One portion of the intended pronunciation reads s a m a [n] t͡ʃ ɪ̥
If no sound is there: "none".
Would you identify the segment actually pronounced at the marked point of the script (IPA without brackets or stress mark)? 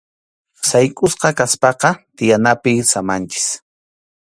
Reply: n